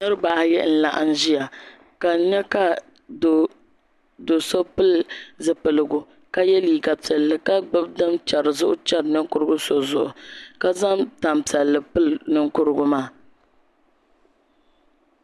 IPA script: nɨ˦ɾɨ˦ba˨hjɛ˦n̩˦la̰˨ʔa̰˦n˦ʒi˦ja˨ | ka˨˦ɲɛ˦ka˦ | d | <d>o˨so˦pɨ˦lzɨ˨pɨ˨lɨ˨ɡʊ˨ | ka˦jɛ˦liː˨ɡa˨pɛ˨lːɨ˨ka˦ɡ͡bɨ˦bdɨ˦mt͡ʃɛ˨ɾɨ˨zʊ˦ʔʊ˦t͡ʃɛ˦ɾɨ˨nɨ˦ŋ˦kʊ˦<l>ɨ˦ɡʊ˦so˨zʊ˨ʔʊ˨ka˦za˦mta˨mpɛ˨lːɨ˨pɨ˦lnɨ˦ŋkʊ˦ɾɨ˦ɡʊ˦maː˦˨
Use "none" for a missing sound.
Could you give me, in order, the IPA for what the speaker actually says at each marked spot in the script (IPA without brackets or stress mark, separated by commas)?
d, ɾ